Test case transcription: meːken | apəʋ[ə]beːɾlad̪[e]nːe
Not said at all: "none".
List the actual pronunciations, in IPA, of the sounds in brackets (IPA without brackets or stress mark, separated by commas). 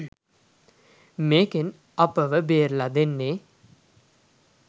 ə, e